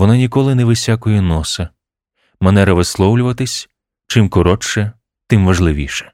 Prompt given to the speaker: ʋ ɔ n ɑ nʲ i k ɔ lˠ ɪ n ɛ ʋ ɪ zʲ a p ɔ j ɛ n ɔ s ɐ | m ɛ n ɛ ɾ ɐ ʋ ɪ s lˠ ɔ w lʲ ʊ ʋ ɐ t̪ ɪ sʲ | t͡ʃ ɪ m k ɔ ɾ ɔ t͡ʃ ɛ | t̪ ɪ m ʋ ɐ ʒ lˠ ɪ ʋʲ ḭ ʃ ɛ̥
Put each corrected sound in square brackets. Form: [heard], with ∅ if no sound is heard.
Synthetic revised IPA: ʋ ɔ n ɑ nʲ i k ɔ lˠ ɪ n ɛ ʋ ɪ [sʲ] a [k] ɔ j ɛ n ɔ s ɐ | m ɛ n ɛ ɾ ɐ ʋ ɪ s lˠ ɔ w lʲ ʊ ʋ ɐ t̪ ɪ sʲ | t͡ʃ ɪ m k ɔ ɾ ɔ t͡ʃ ɛ | t̪ ɪ m ʋ ɐ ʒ lˠ ɪ ʋʲ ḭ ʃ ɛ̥